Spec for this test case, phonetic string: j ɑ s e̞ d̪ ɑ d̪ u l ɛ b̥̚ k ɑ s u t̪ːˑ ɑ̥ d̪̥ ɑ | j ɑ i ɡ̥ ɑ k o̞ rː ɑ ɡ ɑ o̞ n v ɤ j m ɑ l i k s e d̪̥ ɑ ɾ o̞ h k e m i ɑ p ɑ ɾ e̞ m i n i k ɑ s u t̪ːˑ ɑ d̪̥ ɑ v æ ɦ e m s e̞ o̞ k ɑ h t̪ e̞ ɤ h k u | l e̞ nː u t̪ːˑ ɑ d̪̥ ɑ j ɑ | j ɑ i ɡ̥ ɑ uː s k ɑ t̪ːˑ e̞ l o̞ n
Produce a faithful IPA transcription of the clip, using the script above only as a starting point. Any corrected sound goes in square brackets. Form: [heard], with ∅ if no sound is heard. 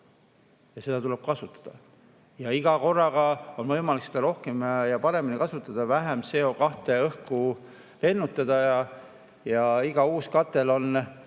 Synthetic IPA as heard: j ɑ s e̞ d̪ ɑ [t̪] u l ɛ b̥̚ k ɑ s u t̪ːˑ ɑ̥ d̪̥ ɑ | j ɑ i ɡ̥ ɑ k o̞ rː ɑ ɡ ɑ o̞ n v ɤ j m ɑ l i k s e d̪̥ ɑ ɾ o̞ h k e m [j] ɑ p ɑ ɾ e̞ m i n i k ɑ s u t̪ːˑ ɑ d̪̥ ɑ v æ ɦ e m s e̞ o̞ k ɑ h t̪ e̞ ɤ h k u | l e̞ nː u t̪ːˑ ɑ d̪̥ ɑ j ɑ | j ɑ i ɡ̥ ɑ uː s k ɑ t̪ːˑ e̞ l o̞ n